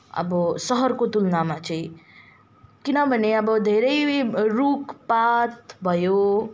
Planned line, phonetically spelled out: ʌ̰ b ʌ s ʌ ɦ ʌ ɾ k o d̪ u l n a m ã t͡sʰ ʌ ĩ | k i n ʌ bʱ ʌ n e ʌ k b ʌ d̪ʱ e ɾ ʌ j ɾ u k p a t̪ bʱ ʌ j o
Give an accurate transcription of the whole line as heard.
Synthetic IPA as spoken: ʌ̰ b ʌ s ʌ ɦ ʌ ɾ k o t̪ u l n a m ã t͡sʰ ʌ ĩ | k i n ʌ bʱ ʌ n e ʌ b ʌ d̪ʱ e ɾ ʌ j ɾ u k p a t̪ bʱ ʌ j o